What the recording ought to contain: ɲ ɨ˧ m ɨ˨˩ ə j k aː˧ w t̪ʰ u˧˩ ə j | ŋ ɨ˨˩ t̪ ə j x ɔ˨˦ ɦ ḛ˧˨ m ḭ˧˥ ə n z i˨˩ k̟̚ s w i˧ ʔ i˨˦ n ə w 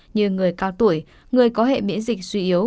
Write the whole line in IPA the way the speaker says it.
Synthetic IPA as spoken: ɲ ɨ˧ ŋ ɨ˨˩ ə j k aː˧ w t̪ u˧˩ ə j | ŋ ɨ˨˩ ə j k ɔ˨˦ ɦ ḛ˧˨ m ḭ˧˥ ə n z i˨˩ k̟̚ s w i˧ ʔ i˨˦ ə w